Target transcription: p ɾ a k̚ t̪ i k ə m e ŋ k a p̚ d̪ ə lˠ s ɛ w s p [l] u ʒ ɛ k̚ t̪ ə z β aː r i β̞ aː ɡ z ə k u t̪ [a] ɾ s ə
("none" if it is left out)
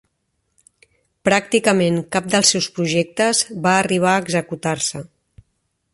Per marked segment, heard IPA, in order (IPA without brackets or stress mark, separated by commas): ɾ, a